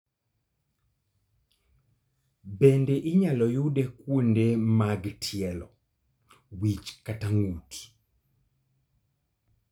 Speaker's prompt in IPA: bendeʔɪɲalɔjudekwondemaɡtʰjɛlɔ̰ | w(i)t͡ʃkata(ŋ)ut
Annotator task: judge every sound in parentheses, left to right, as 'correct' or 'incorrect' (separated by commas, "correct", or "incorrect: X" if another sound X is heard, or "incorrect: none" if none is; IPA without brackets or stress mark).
correct, correct